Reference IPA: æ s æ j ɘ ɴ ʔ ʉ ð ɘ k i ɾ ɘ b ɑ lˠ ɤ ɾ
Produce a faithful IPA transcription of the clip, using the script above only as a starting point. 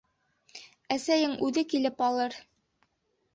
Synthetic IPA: æ s æ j ɘ ŋ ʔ ʉ ð ɘ k i l ɘ p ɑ lˠ ɤ ɾ